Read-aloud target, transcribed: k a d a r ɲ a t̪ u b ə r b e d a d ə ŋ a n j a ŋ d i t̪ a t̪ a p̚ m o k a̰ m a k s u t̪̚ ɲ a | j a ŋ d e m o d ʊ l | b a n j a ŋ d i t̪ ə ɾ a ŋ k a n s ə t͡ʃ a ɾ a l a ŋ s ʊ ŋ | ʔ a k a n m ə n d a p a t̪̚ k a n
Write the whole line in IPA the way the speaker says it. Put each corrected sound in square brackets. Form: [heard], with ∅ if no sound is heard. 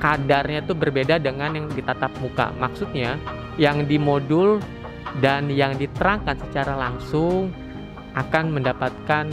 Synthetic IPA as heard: k a d a r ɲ a t̪ u b ə r b e d a d ə ŋ a n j a ŋ d i t̪ a t̪ a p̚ m [u] k a̰ m a k s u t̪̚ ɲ a | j a ŋ d [i] m o d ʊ l | [d] a n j a ŋ d i t̪ ə ɾ a ŋ k a n s ə t͡ʃ a ɾ a l a ŋ s ʊ ŋ | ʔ a k a n m ə n d a p a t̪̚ k a n